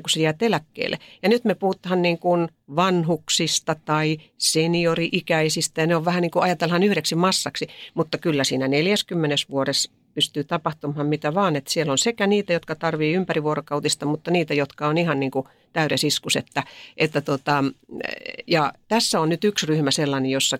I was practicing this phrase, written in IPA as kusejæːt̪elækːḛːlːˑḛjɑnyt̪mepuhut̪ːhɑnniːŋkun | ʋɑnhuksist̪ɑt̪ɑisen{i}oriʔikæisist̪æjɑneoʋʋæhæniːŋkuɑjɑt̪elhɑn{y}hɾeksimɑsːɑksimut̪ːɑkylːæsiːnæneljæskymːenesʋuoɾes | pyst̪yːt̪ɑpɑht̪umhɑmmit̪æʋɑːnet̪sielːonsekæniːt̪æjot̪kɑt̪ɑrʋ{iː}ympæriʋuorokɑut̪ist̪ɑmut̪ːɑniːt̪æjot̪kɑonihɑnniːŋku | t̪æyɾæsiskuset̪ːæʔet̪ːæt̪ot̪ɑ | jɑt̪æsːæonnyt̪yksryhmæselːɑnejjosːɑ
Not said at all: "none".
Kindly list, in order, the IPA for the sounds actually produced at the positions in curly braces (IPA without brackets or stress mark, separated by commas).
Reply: i, y, iː